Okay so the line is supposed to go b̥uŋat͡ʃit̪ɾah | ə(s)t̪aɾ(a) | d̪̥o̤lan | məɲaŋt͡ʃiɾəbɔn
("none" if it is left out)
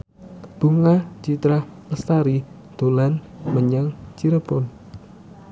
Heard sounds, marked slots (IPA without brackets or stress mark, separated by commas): s, i